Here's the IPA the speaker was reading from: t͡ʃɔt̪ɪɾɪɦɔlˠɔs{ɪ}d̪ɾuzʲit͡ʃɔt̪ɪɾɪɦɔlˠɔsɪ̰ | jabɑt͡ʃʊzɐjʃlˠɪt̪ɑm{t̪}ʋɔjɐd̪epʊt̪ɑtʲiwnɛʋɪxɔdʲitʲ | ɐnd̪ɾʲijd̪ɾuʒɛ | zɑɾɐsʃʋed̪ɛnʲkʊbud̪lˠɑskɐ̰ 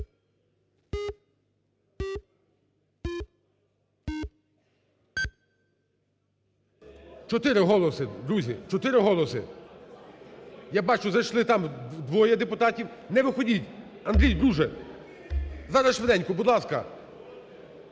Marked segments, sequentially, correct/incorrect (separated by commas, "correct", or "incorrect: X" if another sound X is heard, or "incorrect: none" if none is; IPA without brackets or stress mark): correct, incorrect: d̪